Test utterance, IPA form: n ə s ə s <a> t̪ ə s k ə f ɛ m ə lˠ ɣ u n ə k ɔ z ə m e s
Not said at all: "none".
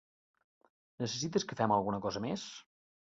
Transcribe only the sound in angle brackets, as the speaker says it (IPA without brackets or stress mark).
i